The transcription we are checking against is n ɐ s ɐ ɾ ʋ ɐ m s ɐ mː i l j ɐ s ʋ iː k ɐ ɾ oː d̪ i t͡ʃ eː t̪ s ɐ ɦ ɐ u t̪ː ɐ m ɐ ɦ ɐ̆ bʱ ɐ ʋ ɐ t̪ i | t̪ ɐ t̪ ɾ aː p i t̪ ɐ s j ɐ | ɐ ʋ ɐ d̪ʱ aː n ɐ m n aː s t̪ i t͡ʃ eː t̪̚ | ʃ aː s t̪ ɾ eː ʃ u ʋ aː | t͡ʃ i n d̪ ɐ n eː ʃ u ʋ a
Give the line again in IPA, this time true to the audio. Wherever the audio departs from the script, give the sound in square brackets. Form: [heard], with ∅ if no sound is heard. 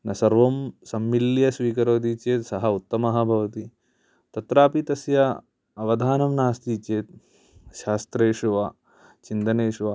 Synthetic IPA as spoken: n ɐ s ɐ ɾ ʋ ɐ m s ɐ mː i l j ɐ s ʋ iː k ɐ ɾ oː d̪ i t͡ʃ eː t̪ s ɐ ɦ ɐ u t̪ː ɐ m ɐ ɦ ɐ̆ bʱ ɐ ʋ ɐ t̪ i | t̪ ɐ t̪ ɾ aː p i t̪ ɐ s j ɐ | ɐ ʋ ɐ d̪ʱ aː n ɐ m n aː s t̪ i t͡ʃ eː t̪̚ | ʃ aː s t̪ ɾ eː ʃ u ʋ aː | t͡ʃ i n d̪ ɐ n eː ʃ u ʋ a